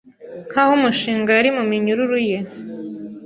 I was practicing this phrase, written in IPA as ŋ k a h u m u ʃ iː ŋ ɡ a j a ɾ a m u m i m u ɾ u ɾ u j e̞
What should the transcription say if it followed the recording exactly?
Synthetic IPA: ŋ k a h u m u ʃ iː ŋ ɡ a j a ɾ i m u m i ɲ u ɾ u ɾ u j e̞